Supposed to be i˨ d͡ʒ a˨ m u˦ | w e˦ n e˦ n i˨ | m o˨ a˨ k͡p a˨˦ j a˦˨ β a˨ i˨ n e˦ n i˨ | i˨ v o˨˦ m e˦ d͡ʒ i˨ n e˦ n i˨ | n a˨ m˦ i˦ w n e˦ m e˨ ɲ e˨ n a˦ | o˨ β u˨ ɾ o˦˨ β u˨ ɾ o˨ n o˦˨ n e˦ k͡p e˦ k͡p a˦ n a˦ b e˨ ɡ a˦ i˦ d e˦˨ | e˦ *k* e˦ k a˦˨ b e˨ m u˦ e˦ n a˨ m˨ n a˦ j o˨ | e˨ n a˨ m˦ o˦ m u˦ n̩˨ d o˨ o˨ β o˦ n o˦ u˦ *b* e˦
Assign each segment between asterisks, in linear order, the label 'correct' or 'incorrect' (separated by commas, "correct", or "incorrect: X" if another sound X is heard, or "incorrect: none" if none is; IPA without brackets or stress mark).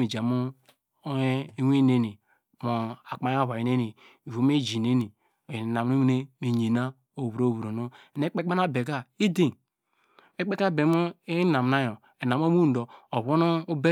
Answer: incorrect: k͡p, correct